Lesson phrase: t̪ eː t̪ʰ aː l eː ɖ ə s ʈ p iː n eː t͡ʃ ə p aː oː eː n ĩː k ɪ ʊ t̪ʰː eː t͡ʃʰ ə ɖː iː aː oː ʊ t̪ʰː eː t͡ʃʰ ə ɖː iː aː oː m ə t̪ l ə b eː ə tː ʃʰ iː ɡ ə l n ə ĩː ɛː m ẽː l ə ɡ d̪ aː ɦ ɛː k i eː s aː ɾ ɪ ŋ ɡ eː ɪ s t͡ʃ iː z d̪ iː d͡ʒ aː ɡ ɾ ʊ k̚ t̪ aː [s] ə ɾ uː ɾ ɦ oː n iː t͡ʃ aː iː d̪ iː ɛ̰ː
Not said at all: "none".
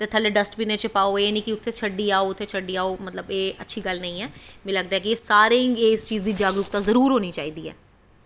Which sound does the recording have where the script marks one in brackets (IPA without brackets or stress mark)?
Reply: z